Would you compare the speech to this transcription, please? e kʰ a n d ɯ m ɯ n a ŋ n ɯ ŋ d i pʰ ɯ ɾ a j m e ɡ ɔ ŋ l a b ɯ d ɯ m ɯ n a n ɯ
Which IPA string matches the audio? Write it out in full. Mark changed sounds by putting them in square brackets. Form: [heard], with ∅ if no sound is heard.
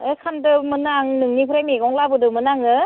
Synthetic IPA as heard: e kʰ a n d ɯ m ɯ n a ŋ n ɯ ŋ [n] i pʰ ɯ ɾ a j m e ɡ ɔ ŋ l a b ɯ d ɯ m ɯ n a [ŋ] ɯ